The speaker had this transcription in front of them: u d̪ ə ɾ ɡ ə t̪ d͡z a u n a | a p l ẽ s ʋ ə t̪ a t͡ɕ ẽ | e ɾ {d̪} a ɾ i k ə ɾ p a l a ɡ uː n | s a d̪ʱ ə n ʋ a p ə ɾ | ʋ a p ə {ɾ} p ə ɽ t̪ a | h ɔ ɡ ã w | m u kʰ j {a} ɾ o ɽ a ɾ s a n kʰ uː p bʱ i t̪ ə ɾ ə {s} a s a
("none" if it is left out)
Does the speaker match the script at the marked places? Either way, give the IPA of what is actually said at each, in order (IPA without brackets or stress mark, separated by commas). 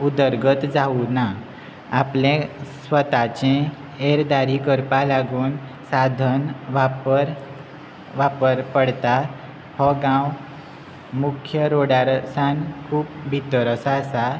d̪, ɾ, ə, s